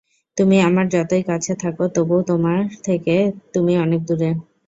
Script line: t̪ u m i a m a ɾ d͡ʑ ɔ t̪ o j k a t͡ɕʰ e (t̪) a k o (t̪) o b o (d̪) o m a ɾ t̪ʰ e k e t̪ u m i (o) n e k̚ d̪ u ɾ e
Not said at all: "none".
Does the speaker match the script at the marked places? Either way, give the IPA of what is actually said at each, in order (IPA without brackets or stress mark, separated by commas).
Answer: t̪ʰ, t̪, t̪, ɔ